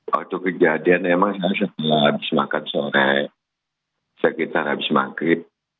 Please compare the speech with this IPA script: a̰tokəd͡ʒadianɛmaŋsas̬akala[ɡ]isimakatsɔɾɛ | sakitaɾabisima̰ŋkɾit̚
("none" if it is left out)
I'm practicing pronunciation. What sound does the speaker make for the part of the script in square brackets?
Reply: b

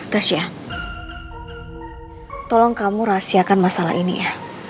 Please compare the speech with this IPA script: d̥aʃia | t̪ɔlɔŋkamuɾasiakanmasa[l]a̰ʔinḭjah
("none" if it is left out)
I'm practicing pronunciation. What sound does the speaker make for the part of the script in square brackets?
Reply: l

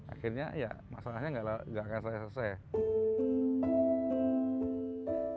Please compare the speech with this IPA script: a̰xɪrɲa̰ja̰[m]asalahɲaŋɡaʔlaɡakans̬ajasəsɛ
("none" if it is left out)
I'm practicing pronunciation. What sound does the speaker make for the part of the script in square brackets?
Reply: m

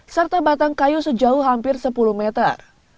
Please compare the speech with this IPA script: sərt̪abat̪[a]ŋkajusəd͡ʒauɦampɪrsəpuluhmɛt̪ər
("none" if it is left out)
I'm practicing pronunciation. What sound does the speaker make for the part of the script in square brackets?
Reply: a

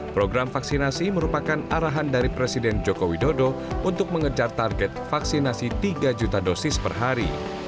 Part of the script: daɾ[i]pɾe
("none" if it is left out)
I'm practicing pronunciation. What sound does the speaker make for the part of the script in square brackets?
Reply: i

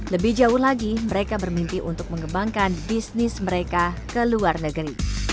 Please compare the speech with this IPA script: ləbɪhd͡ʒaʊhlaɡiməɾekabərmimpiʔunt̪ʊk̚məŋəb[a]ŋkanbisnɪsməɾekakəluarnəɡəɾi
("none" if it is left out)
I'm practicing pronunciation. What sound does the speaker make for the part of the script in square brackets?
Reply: a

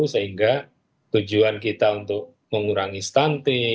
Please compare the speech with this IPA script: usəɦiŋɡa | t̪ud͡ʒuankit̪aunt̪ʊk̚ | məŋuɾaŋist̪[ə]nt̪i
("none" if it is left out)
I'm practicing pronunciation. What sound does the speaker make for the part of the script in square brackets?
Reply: a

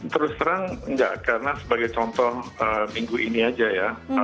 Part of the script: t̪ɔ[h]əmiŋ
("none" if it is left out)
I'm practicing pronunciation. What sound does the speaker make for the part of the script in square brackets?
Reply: h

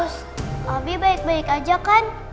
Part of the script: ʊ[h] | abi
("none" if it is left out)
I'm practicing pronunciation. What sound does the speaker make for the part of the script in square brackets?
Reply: s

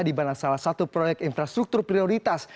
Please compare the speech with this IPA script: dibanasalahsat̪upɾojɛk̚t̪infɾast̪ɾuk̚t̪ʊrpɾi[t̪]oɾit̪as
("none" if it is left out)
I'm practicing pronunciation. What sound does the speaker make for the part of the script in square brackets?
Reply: none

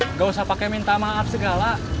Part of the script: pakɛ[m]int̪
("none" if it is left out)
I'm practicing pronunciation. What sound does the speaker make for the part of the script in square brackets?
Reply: m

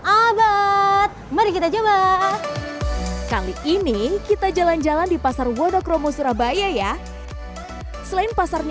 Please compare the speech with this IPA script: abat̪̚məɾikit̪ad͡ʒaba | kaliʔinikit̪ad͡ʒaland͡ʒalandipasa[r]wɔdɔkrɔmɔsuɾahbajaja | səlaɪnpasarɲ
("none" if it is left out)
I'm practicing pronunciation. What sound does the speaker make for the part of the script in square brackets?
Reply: r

